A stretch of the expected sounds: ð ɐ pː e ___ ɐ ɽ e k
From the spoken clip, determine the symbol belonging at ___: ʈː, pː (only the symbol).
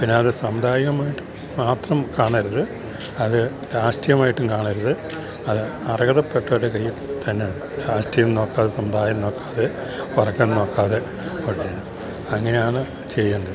ʈː